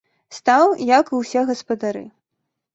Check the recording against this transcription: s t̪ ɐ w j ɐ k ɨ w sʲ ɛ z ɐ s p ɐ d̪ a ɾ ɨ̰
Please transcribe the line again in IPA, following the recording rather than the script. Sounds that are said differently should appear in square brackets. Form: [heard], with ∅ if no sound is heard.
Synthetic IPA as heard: s t̪ [a] w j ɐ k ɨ w sʲ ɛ [ɣ] ɐ s p ɐ d̪ a ɾ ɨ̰